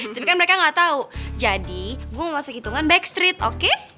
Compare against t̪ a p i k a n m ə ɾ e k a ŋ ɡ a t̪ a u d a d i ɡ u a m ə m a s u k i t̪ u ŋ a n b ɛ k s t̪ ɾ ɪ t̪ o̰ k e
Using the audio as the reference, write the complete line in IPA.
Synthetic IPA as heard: t̪ a p i k a n m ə ɾ e k a ŋ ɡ a t̪ a u d͡ʒ a d i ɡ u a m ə m a s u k i t̪ u ŋ a n b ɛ k s t̪ ɾ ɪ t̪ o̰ k e